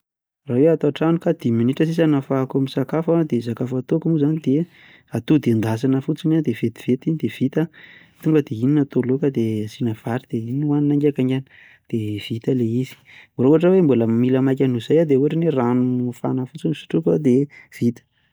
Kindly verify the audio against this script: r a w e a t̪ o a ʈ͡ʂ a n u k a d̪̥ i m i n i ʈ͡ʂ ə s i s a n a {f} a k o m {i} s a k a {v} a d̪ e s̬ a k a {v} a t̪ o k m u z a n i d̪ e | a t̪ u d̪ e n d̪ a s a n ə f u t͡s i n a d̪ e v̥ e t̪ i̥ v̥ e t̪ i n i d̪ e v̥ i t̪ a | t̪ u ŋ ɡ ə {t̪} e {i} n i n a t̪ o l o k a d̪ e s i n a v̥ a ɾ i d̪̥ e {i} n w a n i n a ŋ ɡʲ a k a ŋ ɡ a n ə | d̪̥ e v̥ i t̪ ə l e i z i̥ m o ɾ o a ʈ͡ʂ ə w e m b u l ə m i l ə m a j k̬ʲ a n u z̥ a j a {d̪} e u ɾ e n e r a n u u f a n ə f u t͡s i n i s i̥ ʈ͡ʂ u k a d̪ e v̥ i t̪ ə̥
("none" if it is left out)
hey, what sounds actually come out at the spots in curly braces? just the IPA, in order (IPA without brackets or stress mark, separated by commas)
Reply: f, i, f, f, d̪, i, i, d̪